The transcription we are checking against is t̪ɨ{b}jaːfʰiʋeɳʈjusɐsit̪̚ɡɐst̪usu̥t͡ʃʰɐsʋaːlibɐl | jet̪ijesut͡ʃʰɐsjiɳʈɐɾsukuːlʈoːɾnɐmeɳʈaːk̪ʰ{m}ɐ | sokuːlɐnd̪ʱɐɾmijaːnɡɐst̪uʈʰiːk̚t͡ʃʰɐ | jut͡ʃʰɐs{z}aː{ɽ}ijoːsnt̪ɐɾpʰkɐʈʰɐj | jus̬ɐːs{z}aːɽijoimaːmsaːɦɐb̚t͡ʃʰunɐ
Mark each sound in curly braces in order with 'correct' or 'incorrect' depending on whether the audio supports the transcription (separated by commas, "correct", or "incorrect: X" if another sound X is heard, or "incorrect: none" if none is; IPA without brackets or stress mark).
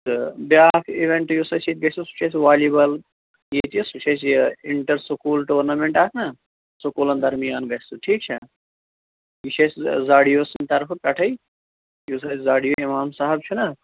correct, incorrect: n, correct, correct, correct